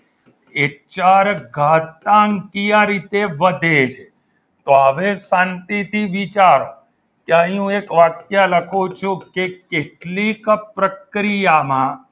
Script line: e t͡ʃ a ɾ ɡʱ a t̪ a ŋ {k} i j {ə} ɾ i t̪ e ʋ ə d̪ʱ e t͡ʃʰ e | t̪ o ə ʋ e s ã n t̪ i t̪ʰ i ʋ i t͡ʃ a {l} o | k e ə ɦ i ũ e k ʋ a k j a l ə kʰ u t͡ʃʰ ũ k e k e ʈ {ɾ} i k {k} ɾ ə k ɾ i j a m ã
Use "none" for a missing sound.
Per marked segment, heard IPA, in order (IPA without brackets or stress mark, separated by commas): k, a, ɾ, l, p